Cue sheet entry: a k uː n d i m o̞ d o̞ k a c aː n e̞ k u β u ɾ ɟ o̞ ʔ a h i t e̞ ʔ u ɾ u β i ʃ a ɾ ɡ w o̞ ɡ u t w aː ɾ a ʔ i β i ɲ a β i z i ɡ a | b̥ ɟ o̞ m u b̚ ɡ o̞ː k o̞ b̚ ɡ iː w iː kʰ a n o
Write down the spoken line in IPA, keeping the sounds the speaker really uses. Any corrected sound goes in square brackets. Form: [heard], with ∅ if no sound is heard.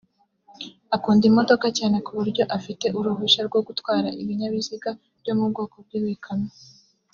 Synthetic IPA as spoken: a k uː n d i m o̞ d o̞ k a c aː n e̞ k u β u ɾ ɟ o̞ ʔ a [f] i t e̞ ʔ u ɾ u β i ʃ a ɾ ɡ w o̞ ɡ u t w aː ɾ a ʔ i β i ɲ a β i z i ɡ a | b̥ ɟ o̞ m u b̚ ɡ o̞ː k o̞ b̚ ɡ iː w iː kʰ a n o